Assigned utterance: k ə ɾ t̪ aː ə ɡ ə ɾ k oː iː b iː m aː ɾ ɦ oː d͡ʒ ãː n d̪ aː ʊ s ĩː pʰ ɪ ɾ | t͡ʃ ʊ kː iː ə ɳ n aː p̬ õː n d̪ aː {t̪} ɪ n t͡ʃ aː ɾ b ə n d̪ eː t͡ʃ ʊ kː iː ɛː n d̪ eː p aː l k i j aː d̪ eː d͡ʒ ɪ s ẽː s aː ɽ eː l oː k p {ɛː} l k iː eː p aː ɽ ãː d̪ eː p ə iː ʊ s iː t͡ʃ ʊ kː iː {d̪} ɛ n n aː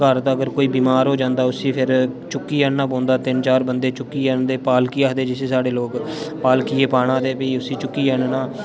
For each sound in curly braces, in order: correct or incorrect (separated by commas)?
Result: correct, incorrect, incorrect